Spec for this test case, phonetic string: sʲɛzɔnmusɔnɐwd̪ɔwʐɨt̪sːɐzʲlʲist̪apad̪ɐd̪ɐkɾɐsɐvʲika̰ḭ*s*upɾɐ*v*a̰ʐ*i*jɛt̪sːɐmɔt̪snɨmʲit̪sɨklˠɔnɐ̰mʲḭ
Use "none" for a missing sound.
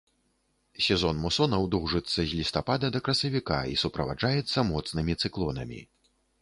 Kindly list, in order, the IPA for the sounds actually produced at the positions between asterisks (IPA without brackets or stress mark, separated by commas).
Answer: s, v, a